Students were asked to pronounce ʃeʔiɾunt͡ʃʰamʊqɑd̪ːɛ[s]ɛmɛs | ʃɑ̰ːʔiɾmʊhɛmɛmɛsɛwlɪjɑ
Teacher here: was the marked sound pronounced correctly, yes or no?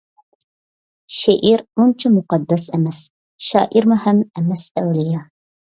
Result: yes